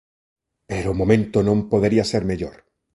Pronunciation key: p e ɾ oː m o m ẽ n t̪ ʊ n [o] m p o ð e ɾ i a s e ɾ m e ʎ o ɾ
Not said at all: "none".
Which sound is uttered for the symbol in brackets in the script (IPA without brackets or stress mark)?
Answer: õ